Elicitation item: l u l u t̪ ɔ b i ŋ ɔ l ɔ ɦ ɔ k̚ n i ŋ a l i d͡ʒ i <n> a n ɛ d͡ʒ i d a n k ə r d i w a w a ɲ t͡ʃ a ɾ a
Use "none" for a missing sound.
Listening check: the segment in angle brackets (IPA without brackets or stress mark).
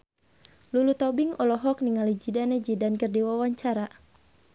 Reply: d